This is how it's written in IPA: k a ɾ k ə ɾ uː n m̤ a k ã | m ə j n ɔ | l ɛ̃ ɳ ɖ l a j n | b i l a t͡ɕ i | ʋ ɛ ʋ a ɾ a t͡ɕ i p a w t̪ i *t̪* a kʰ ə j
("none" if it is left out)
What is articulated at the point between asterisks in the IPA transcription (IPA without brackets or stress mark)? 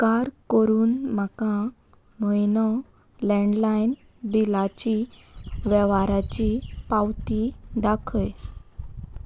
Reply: d̪